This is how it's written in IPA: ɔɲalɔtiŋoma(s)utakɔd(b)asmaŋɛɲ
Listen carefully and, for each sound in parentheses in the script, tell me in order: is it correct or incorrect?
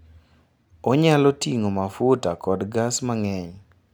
incorrect: f, incorrect: ɡ

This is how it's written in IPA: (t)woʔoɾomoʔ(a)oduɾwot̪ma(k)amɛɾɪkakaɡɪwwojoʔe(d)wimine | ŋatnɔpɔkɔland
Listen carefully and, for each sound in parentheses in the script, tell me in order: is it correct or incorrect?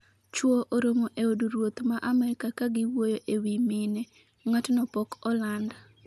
incorrect: t͡ʃ, incorrect: e, incorrect: ʔ, incorrect: none

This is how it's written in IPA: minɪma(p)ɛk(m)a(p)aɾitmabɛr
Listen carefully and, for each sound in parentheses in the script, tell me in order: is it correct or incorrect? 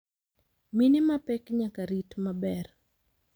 correct, incorrect: ɲ, incorrect: k

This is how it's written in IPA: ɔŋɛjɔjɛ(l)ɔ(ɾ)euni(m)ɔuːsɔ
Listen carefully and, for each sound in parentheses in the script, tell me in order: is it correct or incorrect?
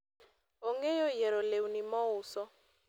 incorrect: ɾ, incorrect: l, correct

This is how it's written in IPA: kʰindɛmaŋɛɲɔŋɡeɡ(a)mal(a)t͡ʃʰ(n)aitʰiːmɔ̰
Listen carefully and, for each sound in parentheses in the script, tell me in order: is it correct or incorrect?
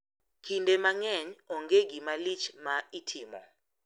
incorrect: i, incorrect: i, incorrect: m

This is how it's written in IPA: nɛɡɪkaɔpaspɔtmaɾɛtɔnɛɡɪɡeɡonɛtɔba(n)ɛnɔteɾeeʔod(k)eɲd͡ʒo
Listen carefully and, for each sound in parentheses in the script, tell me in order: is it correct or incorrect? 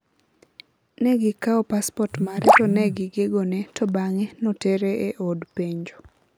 incorrect: ŋ, incorrect: p

